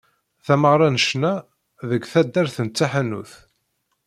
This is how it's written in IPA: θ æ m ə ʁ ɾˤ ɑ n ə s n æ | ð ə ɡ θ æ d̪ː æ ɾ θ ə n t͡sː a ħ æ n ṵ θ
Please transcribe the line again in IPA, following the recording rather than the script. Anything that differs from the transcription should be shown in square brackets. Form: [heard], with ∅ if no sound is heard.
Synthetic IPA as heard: θ æ m ə ʁ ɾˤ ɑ n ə [ʃ] n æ | ð ə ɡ θ æ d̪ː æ ɾ θ ə n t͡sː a ħ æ n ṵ θ